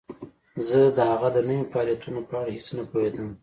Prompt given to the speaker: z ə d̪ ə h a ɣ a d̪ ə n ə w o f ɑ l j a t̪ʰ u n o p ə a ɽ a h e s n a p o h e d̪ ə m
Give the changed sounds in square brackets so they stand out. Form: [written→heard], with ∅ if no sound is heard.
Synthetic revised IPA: z ə d̪ ə h a ɣ a d̪ ə n ə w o f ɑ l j a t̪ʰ u n o p ə a ɽ a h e s n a p o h e d̪ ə m